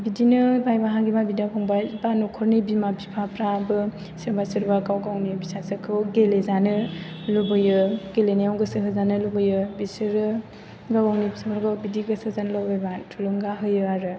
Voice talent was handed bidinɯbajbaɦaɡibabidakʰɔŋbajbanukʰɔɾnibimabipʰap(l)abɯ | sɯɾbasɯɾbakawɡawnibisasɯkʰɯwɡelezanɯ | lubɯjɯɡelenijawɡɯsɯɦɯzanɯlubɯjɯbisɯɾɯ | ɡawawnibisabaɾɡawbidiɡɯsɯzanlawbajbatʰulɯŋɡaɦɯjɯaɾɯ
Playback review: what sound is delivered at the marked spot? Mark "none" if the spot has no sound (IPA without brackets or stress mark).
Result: ɾ